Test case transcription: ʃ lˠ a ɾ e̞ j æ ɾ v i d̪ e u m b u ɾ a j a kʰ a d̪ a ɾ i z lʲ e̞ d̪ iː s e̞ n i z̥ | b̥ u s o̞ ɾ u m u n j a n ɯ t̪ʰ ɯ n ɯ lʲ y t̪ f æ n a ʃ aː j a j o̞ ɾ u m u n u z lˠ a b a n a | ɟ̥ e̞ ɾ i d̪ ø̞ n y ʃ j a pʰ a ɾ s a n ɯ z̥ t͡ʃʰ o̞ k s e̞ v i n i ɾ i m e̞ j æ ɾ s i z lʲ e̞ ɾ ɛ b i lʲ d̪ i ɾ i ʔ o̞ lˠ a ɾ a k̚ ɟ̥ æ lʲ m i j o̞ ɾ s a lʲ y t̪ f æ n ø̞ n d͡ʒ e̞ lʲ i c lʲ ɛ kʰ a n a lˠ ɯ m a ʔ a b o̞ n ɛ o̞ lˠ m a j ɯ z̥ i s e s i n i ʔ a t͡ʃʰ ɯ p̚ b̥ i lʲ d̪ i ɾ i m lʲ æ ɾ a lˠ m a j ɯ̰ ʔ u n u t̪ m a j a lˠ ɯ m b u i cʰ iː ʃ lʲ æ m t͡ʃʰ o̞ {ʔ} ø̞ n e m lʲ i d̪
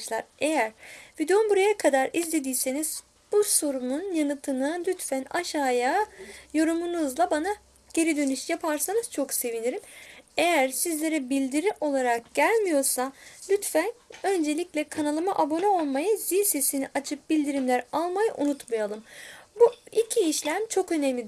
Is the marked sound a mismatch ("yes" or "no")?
yes